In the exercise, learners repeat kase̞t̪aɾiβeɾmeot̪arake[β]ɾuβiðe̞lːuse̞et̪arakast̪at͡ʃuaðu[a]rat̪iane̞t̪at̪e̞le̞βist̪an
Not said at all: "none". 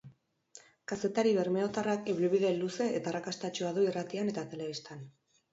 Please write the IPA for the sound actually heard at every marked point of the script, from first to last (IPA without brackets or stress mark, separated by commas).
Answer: β, i